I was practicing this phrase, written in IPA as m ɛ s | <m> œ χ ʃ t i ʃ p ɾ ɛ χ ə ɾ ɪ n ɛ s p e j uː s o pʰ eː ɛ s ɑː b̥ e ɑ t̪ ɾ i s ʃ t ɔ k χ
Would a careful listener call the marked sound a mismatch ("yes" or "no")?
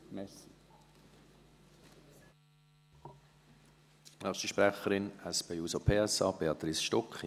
yes